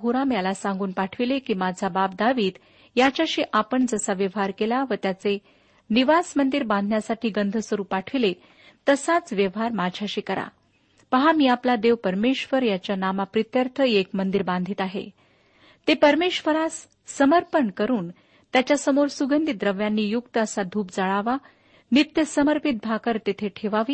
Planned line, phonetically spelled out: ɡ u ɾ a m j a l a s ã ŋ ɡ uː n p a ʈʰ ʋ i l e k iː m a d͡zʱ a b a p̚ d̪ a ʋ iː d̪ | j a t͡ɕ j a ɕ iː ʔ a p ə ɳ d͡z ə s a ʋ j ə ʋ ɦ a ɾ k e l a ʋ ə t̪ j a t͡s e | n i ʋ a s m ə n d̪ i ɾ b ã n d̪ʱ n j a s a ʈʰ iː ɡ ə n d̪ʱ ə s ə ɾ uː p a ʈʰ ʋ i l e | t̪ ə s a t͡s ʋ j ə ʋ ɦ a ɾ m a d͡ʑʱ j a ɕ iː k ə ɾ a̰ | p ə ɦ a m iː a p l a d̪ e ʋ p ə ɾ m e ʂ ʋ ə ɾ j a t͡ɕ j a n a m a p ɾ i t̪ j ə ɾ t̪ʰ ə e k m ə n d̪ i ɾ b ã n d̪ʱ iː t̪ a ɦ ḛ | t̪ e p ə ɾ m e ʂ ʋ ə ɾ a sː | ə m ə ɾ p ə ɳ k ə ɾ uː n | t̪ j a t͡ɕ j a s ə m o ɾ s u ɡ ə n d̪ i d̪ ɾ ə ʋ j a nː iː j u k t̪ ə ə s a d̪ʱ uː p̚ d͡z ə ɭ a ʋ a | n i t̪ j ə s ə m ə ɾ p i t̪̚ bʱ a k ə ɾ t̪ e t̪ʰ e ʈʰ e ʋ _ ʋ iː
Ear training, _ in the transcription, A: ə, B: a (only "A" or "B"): B